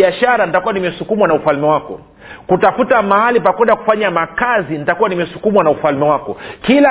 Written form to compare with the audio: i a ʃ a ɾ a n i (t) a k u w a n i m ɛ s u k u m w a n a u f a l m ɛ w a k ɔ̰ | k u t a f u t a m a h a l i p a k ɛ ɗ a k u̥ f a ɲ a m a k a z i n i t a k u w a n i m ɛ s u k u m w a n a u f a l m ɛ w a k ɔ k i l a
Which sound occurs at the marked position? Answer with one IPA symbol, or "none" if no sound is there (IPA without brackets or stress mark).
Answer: t